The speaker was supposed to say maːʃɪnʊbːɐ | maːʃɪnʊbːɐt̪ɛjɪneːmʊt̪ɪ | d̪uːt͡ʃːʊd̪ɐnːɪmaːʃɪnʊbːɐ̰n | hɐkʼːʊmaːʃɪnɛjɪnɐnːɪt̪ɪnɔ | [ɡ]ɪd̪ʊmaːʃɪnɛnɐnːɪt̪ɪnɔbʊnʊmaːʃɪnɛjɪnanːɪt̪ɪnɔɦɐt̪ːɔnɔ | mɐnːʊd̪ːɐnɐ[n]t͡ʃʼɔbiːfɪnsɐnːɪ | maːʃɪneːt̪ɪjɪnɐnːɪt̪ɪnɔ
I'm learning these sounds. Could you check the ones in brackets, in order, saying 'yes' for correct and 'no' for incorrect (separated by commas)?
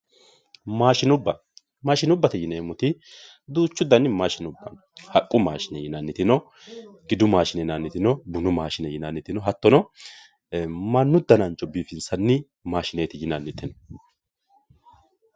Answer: yes, yes